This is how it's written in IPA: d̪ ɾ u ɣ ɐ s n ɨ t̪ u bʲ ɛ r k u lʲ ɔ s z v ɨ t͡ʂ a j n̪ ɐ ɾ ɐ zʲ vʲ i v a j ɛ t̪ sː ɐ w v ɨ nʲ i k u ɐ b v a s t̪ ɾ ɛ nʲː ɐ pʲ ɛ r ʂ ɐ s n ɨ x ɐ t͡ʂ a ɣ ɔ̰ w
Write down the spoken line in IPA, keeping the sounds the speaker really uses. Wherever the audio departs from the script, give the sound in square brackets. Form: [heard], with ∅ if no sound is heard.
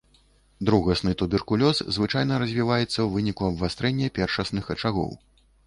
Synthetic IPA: d̪ ɾ u ɣ ɐ s n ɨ t̪ u bʲ ɛ r k u lʲ ɔ s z v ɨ t͡ʂ a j n̪ ɐ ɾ ɐ zʲ vʲ i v a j ɛ t̪ sː ɐ w v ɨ nʲ i k u ɐ b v a s t̪ ɾ ɛ nʲː ɐ pʲ ɛ r ʂ ɐ s n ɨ x ɐ t͡ʂ a ɣ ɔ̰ w